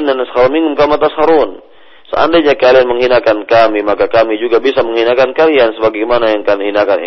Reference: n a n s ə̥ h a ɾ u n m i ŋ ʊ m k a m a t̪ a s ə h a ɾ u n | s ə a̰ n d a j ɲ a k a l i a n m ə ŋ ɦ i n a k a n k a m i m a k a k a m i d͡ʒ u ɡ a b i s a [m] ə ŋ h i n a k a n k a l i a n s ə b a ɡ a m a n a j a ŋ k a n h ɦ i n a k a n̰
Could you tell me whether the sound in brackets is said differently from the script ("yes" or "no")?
no